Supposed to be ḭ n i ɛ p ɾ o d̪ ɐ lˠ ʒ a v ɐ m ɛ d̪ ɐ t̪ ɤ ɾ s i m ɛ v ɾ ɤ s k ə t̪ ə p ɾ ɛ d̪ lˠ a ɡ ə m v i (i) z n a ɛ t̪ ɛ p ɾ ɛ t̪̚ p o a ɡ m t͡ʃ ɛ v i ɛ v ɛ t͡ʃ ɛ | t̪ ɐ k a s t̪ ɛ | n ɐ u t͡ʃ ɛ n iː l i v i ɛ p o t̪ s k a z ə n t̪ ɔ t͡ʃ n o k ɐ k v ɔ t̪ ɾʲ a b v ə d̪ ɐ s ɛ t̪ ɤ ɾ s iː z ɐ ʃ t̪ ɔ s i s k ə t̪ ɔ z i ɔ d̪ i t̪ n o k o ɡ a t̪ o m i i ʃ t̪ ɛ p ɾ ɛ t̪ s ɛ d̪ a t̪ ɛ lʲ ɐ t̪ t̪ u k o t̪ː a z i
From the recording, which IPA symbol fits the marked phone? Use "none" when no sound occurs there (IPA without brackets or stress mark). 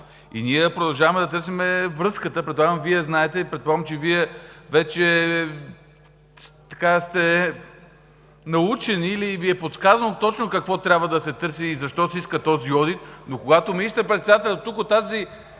ɛ